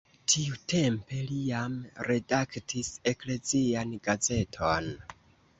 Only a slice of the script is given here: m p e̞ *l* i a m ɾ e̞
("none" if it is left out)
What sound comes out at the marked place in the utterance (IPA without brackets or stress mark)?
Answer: l